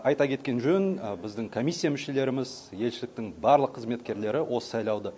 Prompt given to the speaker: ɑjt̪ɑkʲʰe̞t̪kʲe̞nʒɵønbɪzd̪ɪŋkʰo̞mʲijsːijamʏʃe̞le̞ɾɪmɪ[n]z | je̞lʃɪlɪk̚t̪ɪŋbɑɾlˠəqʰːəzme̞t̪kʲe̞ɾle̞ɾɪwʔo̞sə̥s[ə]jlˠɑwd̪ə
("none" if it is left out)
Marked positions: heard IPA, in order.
none, ɑ

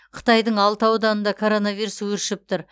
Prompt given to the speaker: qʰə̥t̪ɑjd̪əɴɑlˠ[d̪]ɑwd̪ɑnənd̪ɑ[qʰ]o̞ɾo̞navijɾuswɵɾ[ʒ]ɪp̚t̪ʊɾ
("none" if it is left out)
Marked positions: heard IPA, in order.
t̪, kʰ, ʃ

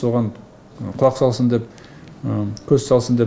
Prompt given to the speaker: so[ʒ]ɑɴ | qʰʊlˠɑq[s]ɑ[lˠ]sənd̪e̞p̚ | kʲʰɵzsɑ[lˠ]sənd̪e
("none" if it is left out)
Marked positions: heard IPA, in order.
ʁ, s, lˠ, lˠ

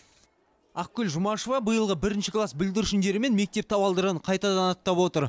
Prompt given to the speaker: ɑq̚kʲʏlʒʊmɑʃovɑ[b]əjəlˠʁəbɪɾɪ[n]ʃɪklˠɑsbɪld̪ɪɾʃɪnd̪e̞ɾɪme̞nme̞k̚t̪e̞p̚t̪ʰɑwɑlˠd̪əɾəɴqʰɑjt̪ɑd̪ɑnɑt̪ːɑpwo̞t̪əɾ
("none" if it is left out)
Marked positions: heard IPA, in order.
b, n

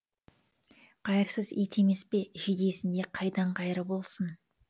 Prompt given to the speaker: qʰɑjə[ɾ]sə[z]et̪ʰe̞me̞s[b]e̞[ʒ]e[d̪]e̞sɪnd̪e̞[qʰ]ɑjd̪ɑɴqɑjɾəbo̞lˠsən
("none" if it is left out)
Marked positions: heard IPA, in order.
ɾ, z, p, ʒ, d̪, qʰ

